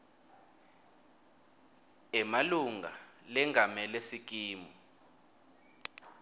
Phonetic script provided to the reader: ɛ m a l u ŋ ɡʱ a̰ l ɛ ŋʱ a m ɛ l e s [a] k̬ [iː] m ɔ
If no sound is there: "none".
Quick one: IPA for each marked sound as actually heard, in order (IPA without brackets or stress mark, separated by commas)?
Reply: i, iː